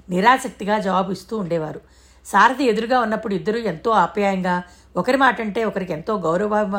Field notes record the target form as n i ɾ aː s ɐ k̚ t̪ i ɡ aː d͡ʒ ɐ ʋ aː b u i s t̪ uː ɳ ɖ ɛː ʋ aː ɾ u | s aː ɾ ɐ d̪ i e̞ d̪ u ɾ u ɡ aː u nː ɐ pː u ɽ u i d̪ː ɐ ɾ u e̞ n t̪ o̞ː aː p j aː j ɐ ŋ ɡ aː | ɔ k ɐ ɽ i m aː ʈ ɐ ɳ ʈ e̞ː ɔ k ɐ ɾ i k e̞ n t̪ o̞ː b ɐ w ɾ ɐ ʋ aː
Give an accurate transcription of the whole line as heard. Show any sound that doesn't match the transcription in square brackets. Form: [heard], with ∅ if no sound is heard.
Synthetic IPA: n i ɾ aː s ɐ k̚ t̪ i ɡ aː d͡ʒ ɐ ʋ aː b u i s t̪ uː ɳ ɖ ɛː ʋ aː ɾ u | s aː ɾ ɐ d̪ i e̞ d̪ u ɾ u ɡ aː u nː ɐ pː u ɽ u i d̪ː ɐ ɾ u e̞ n t̪ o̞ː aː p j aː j ɐ ŋ ɡ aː | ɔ k ɐ [ɾ] i m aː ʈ ɐ ɳ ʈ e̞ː ɔ k ɐ ɾ i k e̞ n t̪ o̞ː [ɡ] ɐ w ɾ ɐ ʋ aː